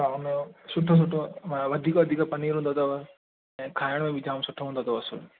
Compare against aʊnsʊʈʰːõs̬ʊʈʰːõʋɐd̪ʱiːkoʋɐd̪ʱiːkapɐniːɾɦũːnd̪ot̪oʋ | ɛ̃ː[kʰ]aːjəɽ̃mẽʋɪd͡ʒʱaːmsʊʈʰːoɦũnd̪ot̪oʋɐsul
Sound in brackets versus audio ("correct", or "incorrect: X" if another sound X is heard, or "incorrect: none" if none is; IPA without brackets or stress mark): correct